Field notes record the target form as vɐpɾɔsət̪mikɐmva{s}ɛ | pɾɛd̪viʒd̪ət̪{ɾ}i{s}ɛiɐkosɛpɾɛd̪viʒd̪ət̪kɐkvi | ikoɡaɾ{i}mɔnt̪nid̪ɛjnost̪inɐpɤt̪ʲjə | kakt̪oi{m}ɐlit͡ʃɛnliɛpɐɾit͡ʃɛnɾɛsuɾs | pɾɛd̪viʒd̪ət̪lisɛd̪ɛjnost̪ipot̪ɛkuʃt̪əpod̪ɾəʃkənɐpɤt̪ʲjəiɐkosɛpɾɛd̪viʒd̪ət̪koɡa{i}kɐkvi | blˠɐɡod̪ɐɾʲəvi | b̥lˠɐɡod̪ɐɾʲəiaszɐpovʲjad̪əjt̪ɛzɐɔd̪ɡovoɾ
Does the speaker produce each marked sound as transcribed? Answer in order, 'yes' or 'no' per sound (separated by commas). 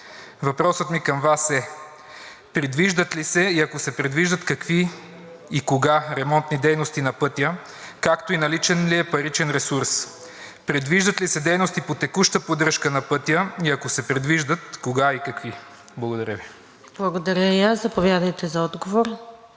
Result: yes, no, yes, no, no, yes